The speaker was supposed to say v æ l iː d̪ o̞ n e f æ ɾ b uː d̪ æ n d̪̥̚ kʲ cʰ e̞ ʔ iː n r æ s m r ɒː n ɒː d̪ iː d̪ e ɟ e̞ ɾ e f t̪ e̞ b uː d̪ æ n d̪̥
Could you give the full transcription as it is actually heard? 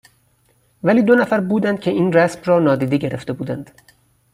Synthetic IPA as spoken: v æ l iː d̪ o̞ n æ f æ ɾ b uː d̪ æ n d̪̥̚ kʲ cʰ e̞ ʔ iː n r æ s m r ɒː n ɒː d̪ iː d̪ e ɟ e̞ ɾ e f t̪ e̞ b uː d̪ æ n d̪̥

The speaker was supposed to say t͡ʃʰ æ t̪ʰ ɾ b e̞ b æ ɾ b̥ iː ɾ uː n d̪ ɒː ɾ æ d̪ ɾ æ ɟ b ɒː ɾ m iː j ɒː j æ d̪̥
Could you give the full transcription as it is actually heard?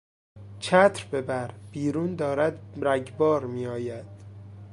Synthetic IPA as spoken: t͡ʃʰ æ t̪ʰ ɾ b e̞ b æ ɾ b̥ iː ɾ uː n d̪ ɒː ɾ æ d̪ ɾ æ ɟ b ɒː ɾ m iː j ɒː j æ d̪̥

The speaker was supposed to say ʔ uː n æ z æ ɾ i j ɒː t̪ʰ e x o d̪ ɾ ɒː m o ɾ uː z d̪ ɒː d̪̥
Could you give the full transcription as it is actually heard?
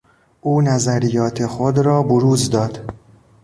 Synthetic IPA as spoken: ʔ uː n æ z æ ɾ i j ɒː t̪ʰ e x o d̪ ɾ ɒː b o ɾ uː z d̪ ɒː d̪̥

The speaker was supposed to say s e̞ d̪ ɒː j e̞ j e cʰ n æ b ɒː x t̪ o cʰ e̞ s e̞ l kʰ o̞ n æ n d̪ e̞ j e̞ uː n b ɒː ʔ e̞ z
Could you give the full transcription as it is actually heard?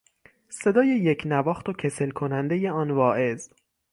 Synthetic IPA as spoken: s e̞ d̪ ɒː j e̞ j e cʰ n æ v ɒː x t̪ o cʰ e̞ s e̞ l kʰ o̞ n æ n d̪ e̞ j e̞ ɒː n v ɒː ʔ e̞ z

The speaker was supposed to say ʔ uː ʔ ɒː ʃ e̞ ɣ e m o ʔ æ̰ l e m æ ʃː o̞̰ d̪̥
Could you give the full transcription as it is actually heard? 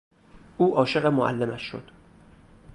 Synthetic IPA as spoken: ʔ uː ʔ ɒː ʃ e̞ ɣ e m o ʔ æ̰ lː e m æ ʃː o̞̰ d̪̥

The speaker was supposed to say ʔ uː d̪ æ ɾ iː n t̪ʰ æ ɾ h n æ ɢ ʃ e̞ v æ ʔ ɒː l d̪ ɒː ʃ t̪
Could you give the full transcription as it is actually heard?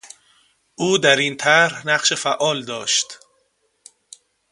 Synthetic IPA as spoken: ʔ uː d̪ æ ɾ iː n t̪ʰ æ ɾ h n æ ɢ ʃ e̞ f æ ʔ ɒː l d̪ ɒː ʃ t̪

